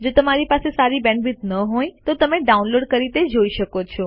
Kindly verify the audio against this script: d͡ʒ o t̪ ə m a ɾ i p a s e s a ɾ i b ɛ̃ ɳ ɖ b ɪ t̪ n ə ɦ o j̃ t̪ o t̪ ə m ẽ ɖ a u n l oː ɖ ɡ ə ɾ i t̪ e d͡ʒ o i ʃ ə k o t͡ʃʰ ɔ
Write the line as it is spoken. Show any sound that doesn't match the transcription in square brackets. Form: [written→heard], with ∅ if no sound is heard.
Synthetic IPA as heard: d͡ʒ o t̪ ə m a ɾ i p a s e s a ɾ i b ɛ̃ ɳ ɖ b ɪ t̪ n ə ɦ o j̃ t̪ o t̪ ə m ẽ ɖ a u n l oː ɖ [ɡ→k] ə ɾ i t̪ e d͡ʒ o i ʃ ə k o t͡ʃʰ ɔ